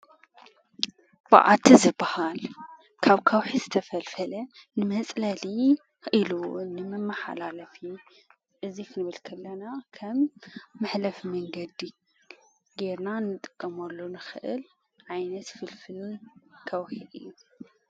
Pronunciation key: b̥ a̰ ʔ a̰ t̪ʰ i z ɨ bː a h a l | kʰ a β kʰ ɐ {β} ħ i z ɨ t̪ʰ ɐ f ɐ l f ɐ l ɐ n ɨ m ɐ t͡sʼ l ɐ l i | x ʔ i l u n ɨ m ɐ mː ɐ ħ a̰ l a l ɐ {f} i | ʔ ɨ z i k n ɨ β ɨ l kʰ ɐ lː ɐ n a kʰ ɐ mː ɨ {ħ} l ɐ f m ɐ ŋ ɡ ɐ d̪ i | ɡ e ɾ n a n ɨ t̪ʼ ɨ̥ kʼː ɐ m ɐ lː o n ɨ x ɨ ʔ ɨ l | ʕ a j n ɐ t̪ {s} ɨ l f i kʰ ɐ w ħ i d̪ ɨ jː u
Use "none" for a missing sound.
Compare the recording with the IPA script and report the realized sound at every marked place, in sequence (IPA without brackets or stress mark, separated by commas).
w, f, ħ, f